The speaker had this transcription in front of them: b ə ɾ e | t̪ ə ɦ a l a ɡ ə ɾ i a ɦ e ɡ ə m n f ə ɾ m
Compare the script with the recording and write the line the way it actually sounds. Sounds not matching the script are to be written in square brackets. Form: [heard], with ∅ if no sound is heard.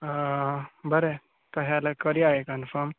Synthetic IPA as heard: b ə ɾ e | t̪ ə ɦ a l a [k] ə ɾ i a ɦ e [k] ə [∅] n f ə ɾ m